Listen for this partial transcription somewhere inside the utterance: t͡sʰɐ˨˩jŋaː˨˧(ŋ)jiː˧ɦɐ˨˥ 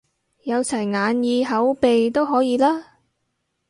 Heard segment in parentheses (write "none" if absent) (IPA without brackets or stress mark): n